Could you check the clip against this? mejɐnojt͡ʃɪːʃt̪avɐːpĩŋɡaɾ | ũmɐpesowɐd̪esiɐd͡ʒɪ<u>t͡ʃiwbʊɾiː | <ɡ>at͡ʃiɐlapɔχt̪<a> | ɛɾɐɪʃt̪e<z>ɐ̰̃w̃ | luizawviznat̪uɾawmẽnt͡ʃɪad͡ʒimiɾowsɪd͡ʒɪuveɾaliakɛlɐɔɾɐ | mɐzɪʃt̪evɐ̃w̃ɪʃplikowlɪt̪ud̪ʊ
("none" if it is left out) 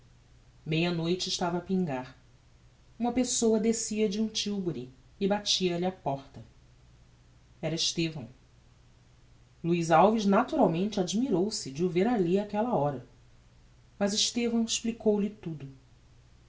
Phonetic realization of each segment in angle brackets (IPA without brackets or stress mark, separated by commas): ũ, b, ɐ, v